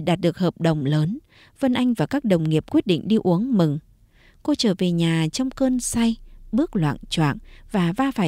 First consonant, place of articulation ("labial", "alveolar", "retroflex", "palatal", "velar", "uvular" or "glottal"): alveolar